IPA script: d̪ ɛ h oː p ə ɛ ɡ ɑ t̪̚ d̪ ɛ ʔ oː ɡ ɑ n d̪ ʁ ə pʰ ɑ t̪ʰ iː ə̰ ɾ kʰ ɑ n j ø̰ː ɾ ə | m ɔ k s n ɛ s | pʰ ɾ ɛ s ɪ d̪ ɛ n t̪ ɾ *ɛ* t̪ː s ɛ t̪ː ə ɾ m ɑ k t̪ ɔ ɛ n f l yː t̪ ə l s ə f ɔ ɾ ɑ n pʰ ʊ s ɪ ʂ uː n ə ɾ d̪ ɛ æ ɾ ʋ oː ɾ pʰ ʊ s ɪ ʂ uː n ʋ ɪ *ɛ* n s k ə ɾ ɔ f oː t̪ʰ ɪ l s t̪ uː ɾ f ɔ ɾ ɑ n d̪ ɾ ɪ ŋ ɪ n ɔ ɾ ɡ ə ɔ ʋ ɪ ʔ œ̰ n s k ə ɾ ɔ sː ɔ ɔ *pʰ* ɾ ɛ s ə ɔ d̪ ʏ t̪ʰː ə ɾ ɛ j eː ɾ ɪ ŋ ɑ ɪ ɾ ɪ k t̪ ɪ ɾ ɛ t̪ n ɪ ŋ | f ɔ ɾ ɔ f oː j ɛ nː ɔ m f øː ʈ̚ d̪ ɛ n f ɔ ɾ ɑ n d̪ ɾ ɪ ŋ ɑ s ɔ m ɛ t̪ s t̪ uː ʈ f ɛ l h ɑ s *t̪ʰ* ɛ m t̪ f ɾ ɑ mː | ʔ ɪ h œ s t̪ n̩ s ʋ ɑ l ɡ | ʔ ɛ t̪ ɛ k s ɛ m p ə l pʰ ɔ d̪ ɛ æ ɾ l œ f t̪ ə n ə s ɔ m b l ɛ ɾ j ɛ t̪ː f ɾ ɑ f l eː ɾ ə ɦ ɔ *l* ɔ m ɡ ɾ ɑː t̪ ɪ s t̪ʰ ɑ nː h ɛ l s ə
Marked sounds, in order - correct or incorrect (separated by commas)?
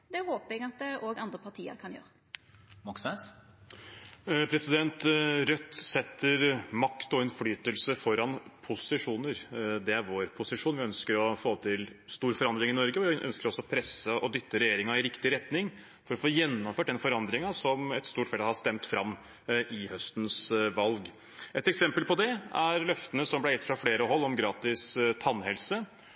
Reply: incorrect, incorrect, correct, incorrect, incorrect